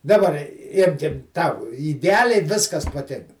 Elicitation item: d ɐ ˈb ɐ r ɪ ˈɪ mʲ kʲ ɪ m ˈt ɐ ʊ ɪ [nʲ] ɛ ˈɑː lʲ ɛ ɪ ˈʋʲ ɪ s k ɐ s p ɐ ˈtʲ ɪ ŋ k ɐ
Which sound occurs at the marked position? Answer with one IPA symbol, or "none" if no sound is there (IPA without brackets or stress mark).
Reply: dʲ